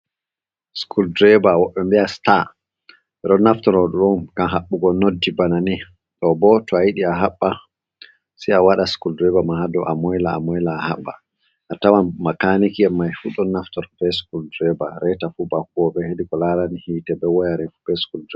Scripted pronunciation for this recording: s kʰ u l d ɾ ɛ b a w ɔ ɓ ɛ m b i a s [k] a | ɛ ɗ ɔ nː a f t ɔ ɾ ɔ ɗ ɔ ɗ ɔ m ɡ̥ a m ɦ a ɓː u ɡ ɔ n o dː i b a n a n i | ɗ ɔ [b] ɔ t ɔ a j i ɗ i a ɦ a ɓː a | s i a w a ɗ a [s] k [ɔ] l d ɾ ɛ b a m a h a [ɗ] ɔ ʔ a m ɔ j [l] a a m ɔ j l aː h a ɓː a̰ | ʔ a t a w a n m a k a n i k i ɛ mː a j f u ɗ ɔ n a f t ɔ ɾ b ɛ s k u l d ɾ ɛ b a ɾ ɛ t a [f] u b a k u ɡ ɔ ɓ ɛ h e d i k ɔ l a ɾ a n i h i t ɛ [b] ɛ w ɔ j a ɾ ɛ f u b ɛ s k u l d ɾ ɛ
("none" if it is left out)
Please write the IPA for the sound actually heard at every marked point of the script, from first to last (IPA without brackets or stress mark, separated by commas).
t, b, s, u, d, l, f, b